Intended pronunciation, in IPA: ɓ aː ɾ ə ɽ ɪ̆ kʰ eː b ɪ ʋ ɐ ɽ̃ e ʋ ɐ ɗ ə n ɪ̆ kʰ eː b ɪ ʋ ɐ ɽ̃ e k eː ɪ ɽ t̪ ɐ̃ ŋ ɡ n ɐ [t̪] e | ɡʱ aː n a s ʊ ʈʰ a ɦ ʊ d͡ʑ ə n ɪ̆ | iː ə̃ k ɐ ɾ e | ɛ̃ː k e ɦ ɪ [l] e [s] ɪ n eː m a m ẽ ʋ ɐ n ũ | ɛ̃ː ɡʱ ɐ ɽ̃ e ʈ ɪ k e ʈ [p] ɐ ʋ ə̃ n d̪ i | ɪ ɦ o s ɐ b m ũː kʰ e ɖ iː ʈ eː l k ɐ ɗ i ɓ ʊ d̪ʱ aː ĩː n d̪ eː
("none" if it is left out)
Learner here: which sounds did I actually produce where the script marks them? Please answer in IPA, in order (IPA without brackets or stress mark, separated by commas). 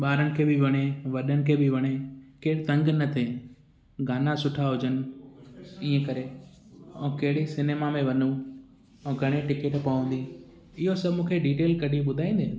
t̪ʰ, ɽ, s, p